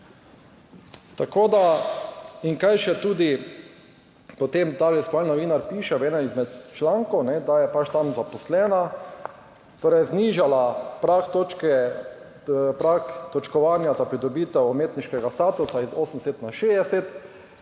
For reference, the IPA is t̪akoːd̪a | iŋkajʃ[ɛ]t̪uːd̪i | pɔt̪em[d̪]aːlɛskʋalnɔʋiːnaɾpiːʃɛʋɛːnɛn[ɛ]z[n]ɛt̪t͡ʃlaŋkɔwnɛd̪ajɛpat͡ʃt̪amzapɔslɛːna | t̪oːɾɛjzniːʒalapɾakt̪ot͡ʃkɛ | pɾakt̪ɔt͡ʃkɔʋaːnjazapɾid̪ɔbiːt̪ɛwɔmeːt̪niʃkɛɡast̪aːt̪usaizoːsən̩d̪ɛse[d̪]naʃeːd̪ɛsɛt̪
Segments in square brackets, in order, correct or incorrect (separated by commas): correct, incorrect, incorrect, incorrect, incorrect